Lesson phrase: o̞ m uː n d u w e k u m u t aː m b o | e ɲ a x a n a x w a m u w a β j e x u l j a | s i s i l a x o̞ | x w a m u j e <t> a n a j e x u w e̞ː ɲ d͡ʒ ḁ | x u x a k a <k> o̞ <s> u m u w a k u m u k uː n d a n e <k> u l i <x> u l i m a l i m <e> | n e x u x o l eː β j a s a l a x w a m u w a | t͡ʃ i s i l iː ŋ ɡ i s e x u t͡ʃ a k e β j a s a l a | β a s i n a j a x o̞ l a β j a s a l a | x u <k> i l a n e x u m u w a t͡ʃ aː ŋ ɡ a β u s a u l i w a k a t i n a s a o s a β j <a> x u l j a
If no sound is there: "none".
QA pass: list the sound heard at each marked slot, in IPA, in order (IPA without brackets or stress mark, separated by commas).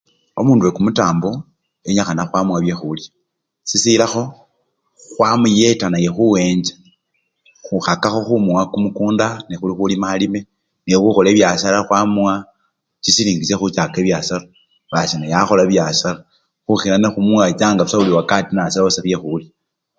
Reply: t, x, x, x, x, e, x, e